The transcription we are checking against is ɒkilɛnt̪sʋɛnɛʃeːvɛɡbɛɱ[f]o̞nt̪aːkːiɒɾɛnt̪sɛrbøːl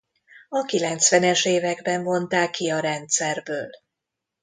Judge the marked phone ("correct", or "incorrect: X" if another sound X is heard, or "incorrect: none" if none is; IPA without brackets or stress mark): incorrect: v